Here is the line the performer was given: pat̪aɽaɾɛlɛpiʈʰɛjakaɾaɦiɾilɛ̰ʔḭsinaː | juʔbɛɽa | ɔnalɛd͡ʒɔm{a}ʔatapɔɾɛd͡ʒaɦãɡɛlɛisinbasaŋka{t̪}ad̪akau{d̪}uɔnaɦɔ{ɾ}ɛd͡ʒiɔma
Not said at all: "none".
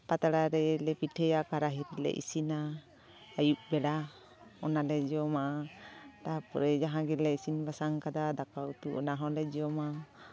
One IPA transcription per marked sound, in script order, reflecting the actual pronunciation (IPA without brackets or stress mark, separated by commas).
a, d̪, t̪, l